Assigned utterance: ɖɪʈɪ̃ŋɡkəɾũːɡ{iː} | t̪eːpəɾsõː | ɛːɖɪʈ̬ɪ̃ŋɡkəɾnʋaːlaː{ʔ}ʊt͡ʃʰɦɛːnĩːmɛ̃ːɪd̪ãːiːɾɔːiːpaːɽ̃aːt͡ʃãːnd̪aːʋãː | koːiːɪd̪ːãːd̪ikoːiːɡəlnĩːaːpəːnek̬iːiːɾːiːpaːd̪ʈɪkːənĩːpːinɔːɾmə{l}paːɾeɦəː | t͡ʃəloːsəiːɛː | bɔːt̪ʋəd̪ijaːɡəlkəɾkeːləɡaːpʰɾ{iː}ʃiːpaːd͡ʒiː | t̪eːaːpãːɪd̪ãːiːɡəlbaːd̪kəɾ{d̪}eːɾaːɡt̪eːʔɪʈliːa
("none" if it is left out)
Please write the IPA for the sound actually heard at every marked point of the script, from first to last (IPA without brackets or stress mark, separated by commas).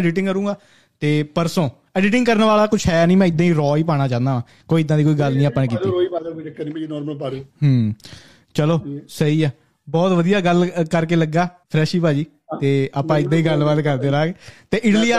aː, k, l, ɛː, d̪